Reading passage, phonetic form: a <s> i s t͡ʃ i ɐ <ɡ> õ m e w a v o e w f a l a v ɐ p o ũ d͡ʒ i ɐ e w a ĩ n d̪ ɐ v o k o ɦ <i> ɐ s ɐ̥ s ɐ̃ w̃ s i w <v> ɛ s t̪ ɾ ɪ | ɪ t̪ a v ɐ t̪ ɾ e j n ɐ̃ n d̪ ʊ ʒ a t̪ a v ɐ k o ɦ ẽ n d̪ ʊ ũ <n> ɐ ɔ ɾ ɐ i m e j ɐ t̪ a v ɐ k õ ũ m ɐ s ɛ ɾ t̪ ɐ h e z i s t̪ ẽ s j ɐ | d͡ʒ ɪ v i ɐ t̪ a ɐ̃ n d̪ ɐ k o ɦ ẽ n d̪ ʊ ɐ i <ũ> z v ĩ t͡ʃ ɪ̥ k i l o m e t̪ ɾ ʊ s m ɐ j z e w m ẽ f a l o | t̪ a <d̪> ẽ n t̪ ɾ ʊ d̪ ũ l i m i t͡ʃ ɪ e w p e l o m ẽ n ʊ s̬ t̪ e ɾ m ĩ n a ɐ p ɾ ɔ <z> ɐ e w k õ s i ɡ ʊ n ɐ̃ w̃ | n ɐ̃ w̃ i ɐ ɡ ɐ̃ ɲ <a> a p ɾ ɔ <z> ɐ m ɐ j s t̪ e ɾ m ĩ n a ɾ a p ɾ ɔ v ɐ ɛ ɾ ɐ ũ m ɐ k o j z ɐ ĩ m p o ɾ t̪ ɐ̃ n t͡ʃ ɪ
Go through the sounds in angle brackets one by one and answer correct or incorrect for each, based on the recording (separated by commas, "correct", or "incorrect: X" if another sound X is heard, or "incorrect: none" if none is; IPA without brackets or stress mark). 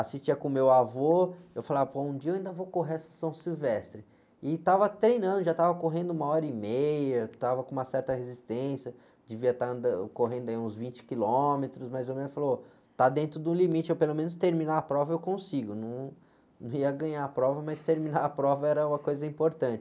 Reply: correct, incorrect: k, incorrect: e, correct, incorrect: m, correct, correct, incorrect: v, correct, incorrect: v